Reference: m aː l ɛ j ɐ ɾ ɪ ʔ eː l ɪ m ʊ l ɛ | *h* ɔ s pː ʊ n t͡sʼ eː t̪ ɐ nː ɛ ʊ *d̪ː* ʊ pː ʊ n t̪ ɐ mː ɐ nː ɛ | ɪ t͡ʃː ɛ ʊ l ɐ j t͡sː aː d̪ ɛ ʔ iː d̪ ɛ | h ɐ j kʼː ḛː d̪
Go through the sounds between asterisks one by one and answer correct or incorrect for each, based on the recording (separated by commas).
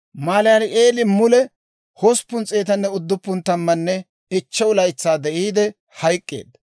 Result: correct, correct